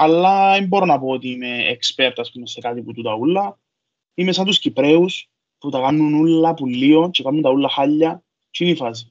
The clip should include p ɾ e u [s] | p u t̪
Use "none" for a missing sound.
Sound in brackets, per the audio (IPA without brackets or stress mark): s